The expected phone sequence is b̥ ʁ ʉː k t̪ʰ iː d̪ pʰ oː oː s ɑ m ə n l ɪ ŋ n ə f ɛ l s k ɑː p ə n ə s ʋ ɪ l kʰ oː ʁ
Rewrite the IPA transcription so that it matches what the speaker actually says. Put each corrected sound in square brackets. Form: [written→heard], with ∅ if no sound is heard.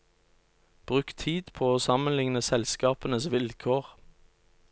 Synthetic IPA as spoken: b̥ ʁ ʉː k t̪ʰ iː d̪ pʰ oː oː s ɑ m ə n l ɪ ŋ n ə [f→s] ɛ l s k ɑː p ə n ə s ʋ ɪ l kʰ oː ʁ